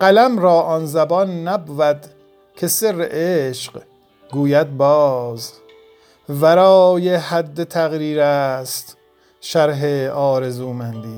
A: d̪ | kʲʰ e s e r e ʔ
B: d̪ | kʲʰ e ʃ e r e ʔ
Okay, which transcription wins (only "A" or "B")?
A